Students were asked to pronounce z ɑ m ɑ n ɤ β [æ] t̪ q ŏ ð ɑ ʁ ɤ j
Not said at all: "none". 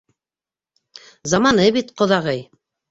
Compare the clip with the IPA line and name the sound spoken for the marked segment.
i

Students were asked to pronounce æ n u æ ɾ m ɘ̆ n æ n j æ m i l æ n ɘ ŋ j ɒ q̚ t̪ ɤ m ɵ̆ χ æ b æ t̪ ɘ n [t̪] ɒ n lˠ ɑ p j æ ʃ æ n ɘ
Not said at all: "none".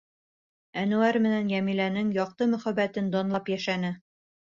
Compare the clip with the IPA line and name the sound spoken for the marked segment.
d̪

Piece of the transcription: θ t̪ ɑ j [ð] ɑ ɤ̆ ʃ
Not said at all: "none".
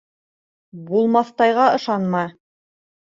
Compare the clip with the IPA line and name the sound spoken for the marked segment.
ʁ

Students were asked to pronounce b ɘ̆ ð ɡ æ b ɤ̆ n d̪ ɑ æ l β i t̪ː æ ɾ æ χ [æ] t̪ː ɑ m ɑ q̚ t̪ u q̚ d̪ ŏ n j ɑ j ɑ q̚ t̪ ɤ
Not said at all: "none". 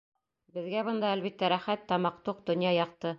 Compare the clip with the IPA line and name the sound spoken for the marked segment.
æ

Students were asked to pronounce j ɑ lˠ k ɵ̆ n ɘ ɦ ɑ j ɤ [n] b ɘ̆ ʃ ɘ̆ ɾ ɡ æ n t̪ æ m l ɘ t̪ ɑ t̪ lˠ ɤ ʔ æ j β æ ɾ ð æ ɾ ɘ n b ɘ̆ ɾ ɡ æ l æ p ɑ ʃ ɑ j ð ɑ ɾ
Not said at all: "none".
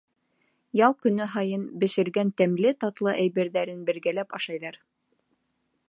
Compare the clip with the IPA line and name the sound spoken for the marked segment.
n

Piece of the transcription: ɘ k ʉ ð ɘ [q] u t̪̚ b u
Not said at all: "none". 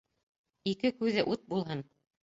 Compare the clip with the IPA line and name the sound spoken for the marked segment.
ʔ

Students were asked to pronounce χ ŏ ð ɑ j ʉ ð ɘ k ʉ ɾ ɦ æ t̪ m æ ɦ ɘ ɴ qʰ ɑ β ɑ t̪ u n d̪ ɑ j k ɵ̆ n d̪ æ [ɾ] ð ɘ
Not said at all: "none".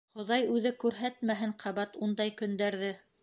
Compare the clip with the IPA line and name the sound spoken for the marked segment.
ɾ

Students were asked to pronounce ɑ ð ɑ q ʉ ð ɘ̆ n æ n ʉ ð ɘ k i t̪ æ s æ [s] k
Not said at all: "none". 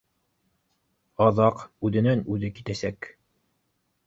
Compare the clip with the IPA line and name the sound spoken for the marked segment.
none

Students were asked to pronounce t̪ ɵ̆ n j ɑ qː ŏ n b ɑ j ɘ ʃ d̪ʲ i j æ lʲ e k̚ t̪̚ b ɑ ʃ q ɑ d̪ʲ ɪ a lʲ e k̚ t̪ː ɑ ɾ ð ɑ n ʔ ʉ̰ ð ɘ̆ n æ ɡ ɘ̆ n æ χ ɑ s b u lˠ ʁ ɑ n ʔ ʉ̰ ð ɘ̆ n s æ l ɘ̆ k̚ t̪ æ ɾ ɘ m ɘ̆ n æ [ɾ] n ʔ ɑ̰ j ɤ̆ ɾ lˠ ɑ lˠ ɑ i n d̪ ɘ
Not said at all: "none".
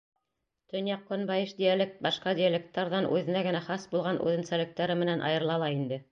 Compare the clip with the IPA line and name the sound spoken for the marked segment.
none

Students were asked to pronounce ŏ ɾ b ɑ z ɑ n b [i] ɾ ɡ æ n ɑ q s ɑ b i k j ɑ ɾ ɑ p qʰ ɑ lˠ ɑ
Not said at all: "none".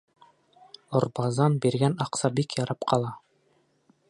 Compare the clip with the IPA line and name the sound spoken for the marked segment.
i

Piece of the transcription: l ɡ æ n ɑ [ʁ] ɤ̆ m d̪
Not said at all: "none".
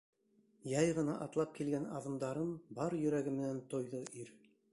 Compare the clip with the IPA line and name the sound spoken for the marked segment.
ð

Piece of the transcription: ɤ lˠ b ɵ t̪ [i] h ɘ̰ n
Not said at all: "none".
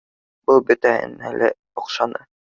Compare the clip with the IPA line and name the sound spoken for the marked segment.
æ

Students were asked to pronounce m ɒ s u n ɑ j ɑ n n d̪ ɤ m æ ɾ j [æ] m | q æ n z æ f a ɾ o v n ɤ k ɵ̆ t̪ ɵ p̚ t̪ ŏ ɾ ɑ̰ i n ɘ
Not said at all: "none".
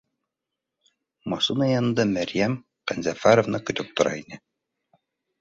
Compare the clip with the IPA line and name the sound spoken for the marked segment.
æ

